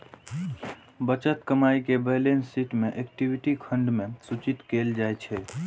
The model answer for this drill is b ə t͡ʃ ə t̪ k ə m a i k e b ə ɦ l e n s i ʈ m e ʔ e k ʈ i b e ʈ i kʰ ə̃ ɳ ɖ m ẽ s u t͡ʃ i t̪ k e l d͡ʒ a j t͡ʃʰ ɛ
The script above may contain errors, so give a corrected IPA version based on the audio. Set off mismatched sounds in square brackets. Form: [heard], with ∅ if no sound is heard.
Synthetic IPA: b ə t͡ʃ ə t̪ k ə m a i k e b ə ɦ l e n s i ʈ m e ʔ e k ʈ i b [i] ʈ i kʰ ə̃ ɳ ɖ m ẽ s u t͡ʃ i t̪ k e l d͡ʒ a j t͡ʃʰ ɛ